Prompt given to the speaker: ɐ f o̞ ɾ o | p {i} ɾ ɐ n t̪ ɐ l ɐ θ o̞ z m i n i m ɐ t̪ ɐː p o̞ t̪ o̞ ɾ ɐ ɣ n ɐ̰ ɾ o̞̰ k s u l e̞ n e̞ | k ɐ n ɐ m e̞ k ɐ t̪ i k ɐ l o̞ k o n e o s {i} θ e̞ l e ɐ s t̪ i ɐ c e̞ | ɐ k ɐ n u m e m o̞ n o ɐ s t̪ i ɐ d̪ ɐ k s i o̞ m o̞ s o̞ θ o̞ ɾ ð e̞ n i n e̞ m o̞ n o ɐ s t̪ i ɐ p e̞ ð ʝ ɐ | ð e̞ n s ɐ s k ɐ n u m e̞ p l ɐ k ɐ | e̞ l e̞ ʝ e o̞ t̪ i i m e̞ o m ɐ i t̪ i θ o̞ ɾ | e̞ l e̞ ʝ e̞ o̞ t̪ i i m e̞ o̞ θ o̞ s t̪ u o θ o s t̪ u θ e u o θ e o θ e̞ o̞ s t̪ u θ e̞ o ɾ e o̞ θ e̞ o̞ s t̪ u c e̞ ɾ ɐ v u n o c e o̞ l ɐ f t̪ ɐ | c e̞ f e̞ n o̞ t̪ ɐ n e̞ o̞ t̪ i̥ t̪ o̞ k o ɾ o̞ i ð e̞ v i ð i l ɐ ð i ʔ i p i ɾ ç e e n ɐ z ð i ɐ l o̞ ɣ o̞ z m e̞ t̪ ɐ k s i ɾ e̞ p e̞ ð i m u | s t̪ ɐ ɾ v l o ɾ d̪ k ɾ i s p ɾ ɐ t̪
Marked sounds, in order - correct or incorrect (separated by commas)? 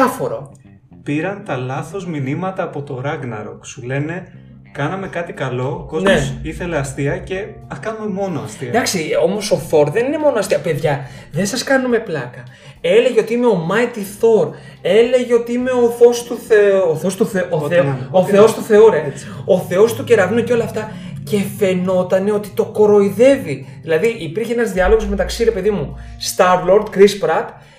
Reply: correct, correct